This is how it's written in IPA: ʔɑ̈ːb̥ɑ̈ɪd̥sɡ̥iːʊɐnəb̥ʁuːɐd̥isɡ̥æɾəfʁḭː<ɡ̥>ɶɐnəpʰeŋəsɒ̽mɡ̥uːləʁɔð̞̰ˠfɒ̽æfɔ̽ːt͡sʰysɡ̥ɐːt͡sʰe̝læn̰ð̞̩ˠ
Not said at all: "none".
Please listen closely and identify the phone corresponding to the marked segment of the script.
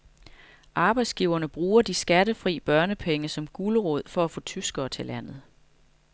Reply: b̥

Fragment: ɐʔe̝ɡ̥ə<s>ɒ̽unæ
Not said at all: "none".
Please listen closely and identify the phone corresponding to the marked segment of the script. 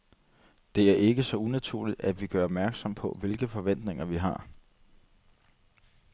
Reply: s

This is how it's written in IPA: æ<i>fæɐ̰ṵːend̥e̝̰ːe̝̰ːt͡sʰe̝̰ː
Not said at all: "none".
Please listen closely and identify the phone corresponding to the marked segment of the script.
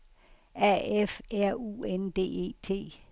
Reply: e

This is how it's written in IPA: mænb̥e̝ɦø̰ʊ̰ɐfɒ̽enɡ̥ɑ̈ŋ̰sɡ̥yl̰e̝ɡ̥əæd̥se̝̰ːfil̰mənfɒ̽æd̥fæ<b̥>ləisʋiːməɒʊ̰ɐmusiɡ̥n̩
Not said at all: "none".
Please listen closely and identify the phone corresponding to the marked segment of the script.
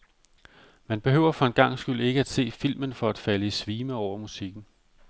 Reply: none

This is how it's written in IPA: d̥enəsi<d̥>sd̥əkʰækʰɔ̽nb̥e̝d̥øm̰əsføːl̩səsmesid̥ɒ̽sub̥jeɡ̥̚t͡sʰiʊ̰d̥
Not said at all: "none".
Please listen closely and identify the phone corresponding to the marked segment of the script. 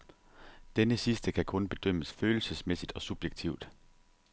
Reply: none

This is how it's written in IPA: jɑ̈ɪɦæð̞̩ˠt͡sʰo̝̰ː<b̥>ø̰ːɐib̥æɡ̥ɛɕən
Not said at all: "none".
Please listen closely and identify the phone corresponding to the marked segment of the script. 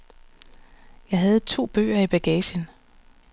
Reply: b̥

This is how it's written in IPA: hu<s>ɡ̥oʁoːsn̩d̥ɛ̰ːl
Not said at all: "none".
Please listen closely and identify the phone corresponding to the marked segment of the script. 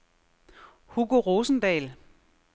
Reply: none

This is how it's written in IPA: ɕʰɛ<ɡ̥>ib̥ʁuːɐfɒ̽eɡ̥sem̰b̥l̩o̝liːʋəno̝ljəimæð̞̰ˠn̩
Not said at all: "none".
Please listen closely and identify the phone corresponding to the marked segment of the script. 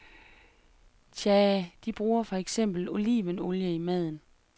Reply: d̥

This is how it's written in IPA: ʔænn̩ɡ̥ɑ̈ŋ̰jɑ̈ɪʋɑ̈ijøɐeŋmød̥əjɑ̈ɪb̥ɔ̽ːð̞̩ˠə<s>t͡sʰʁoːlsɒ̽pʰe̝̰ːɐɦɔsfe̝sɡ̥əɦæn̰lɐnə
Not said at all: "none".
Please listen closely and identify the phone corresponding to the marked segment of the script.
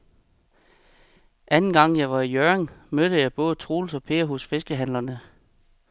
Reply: none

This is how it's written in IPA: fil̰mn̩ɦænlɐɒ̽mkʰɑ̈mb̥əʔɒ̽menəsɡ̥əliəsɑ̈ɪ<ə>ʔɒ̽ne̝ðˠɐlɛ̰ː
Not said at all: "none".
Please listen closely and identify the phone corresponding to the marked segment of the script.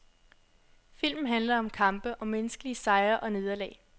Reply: ɐ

